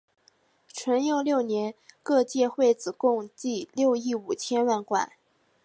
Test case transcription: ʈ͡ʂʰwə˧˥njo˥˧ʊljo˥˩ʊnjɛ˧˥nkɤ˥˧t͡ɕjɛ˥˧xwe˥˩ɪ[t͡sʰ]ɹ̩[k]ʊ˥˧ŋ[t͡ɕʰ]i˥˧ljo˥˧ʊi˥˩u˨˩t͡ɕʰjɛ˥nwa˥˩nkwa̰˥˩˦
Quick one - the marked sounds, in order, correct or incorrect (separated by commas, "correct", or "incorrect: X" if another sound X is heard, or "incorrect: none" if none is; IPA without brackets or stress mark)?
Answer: incorrect: t͡s, correct, incorrect: t͡ɕ